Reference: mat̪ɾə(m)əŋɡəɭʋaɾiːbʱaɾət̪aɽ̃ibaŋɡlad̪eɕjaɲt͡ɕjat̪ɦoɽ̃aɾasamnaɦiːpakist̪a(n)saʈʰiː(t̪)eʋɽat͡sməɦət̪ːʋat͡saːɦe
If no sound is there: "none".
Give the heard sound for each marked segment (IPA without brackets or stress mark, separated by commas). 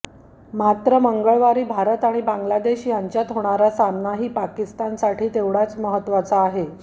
m, n, t̪